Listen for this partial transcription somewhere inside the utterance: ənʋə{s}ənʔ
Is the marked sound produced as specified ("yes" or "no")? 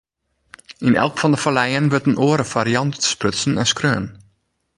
no